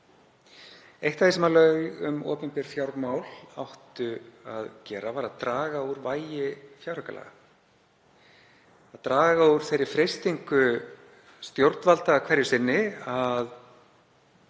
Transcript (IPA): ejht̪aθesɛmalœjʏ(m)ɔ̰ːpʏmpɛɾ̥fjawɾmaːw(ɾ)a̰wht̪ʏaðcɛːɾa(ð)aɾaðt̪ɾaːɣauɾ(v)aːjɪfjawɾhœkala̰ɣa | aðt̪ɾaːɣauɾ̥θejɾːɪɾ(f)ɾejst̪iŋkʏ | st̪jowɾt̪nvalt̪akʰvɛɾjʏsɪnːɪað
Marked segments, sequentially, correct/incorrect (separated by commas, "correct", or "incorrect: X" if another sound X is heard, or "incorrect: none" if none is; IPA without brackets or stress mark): correct, incorrect: l, incorrect: v, correct, correct